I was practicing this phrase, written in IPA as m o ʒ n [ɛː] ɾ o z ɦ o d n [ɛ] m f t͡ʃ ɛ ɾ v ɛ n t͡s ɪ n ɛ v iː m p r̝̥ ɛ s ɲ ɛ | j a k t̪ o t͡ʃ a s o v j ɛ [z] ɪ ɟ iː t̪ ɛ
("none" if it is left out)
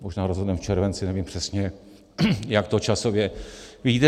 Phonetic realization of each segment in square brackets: aː, ɛ, v

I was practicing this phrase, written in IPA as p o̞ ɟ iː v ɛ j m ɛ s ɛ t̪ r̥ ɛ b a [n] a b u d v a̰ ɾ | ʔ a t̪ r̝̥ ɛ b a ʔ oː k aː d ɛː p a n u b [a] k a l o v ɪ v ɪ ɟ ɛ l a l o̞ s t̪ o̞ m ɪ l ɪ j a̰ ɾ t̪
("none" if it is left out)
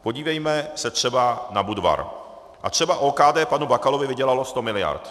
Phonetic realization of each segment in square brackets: n, a

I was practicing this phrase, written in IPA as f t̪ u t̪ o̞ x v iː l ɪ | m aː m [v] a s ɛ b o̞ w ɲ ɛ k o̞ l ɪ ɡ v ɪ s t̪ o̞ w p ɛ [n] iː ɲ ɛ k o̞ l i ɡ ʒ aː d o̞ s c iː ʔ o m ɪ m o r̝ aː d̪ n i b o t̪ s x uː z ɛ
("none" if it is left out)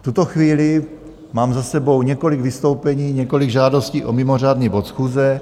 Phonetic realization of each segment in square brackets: z, ɲ

